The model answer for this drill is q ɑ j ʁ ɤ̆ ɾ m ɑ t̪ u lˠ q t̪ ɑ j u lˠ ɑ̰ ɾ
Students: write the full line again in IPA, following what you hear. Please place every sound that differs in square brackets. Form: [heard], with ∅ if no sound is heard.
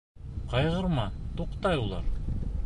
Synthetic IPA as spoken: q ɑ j ʁ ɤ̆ ɾ m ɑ t̪ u [∅] q t̪ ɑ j u lˠ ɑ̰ ɾ